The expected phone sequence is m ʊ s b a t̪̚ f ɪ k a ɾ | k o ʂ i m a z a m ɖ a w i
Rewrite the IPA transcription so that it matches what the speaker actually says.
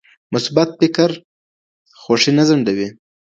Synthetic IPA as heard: m ʊ s b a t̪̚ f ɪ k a ɾ | x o ʂ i n a z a ɳ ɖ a w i